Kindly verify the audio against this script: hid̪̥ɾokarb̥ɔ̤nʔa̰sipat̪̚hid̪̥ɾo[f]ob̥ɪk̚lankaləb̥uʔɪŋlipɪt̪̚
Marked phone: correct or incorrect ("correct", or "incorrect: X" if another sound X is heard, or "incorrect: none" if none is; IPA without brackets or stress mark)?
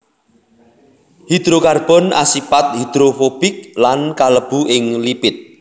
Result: correct